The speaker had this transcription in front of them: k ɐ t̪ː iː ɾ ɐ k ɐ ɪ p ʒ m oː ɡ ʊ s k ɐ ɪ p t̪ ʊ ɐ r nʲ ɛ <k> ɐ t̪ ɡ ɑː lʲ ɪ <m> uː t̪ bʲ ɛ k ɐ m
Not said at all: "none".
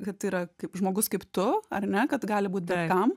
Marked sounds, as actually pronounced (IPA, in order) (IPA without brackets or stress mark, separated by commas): k, b